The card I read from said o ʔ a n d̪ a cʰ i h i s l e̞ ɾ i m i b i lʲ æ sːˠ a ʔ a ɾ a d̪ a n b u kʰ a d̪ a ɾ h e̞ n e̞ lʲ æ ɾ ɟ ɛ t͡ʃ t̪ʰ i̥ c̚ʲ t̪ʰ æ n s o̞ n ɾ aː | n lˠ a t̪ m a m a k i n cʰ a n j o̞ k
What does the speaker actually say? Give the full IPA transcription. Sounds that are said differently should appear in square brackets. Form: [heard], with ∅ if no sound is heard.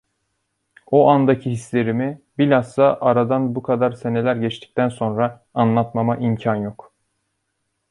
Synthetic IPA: o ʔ a n d̪ a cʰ i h i s l e̞ ɾ i m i b i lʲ [a] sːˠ a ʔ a ɾ a d̪ a n b u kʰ a d̪ a ɾ [s] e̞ n e̞ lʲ æ ɾ ɟ ɛ t͡ʃ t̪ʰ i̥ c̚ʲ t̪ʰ æ n s o̞ n ɾ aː | n lˠ a t̪ m a m a [ʔ] i [m] cʰ a n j o̞ k